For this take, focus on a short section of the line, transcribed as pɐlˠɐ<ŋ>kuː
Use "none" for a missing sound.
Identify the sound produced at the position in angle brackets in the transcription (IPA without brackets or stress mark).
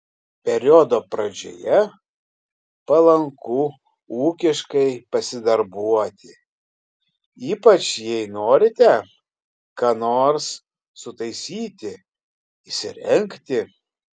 ŋ